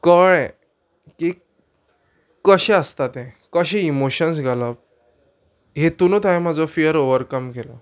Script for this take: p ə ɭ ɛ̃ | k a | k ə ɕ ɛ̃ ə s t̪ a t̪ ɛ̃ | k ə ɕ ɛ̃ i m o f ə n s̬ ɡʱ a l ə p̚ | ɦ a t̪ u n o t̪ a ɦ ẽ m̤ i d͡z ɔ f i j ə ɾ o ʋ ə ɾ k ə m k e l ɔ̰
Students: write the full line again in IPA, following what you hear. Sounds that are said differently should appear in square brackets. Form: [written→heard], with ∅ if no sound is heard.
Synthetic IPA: [p→k] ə ɭ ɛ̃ | k [a→i] | k ə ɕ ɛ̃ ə s t̪ a t̪ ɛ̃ | k ə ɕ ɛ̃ i m o [f→ɕ] ə n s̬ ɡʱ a l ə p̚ | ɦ [a→e] t̪ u n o t̪ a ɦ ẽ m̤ [i→a] d͡z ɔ f i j ə ɾ o ʋ ə ɾ k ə m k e l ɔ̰